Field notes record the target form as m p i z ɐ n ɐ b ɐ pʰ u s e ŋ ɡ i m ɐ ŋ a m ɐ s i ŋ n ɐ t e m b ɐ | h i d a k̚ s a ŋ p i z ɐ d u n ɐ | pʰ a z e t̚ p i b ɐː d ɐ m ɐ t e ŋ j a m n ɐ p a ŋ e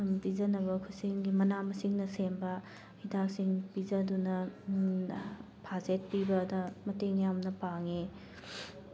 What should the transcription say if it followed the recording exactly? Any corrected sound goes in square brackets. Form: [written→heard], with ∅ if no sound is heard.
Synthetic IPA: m p i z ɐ n ɐ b ɐ [pʰ→kʰ] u s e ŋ ɡ i m ɐ [ŋ→n] a m ɐ s i ŋ n ɐ [t→s] e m b ɐ | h i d a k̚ s [a→i] ŋ p i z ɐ d u n ɐ | pʰ a z e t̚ p i b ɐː d ɐ m ɐ t e ŋ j a m n ɐ p a ŋ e